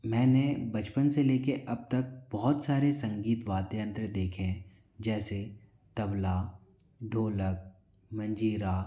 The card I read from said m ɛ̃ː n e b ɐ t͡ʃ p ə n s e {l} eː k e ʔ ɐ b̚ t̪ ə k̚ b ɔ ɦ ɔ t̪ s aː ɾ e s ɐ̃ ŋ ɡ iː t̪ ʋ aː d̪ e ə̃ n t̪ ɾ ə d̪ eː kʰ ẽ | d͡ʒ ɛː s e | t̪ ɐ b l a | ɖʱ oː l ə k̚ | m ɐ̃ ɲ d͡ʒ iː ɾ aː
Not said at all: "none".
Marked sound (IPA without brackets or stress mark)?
l